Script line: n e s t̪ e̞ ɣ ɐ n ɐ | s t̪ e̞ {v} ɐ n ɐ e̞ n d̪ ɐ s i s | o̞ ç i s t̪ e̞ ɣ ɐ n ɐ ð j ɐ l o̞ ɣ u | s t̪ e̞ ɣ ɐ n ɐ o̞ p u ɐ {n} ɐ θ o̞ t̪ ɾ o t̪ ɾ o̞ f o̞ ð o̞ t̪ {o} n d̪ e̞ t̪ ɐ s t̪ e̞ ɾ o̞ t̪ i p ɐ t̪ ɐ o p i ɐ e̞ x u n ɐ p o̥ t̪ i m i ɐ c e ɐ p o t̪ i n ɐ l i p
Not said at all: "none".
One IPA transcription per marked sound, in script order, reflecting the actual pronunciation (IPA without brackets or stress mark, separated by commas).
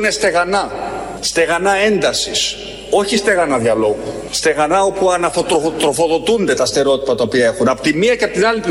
ɣ, n, u